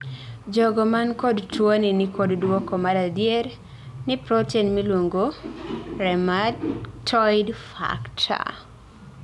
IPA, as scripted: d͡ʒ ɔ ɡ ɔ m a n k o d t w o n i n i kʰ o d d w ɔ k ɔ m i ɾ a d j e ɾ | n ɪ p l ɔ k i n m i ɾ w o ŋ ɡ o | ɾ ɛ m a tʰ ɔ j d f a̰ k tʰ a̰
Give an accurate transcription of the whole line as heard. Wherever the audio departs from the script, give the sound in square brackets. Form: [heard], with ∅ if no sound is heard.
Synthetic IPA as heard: d͡ʒ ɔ ɡ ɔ m a n k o d t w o n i n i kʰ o d d w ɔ k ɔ m [a] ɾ a d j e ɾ | n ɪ p [ɾ] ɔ [t] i n m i [l] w o ŋ ɡ o | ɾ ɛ m a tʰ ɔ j d f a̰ k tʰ a̰

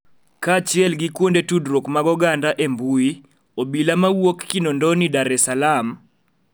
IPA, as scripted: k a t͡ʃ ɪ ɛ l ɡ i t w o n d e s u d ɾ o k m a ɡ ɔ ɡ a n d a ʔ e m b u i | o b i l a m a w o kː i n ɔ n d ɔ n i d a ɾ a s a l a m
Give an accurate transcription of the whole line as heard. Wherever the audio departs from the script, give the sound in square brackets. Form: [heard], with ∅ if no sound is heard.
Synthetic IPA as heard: k a t͡ʃ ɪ ɛ l ɡ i [k] w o n d e [t] u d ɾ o k m a ɡ ɔ ɡ a n d a ʔ e m b u i | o b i l a m a w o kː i n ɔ n d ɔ n i d a ɾ [ɛ] s a l a m

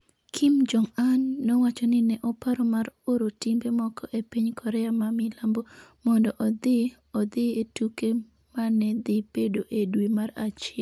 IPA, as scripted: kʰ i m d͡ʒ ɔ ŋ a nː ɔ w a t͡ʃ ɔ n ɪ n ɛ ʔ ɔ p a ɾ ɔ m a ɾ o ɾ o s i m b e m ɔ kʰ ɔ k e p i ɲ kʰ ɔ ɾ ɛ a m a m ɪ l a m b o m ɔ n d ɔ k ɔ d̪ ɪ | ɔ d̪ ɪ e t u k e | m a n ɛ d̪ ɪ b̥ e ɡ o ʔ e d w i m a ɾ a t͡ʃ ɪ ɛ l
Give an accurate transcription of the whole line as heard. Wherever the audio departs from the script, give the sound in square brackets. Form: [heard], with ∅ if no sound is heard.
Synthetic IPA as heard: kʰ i m d͡ʒ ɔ ŋ a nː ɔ w a t͡ʃ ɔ n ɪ n ɛ ʔ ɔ p a ɾ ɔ m a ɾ o ɾ o [t] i m b e m ɔ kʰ ɔ [ʔ] e p i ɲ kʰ ɔ ɾ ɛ a m a m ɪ l a m b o m ɔ n d ɔ [ʔ] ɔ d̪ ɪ | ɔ d̪ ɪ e t u k e | m a n ɛ d̪ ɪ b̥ e [d] o ʔ e d w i m a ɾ a t͡ʃ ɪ ɛ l

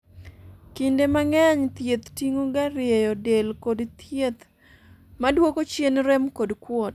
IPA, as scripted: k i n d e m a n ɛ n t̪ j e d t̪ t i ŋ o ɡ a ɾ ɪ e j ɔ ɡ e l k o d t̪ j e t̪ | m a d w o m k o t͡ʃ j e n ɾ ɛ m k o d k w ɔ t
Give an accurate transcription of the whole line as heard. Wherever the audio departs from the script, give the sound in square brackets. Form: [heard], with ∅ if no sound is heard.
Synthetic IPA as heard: k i n d e m a [ŋ] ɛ [ɲ] t̪ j e [∅] t̪ t i ŋ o ɡ a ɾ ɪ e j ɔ [d] e l k o d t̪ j e t̪ | m a d w o [∅] k o t͡ʃ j e n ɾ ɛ m k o d k w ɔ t

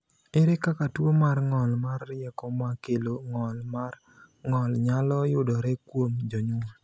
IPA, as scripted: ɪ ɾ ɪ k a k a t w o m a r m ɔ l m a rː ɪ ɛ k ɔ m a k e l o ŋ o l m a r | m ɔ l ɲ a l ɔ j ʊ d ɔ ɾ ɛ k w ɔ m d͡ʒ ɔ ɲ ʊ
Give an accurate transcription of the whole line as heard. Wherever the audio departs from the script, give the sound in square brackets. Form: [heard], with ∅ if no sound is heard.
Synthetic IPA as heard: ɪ ɾ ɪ k a k a t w o m a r [ŋ] ɔ l m a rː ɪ ɛ k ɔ m a k e l o ŋ [ɔ] l m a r | [ŋ] ɔ l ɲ a l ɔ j ʊ d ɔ ɾ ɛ k w [o] m d͡ʒ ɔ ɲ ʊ

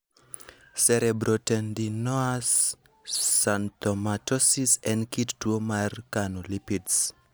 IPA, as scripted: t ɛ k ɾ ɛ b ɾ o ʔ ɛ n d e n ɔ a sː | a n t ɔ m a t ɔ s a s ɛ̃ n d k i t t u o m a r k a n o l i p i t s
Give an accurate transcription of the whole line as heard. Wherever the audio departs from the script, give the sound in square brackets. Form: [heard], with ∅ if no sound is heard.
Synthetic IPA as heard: [s] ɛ [∅] ɾ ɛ b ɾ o [t] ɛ n d [i] n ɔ a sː | a n t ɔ m a t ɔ s [i] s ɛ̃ n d k i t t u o m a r k a n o l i p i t s

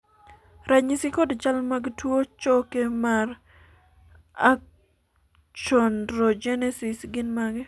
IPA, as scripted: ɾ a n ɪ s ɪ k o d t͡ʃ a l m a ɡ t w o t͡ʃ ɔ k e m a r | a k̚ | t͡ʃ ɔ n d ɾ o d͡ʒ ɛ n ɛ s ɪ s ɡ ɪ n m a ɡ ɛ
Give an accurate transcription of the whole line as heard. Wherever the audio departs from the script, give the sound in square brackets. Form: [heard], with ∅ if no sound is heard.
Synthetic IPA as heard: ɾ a [ɲ] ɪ s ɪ k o d t͡ʃ a l m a ɡ t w o t͡ʃ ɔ k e m a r | a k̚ | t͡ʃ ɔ n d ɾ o d͡ʒ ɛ n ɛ s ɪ s ɡ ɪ n m a ɡ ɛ

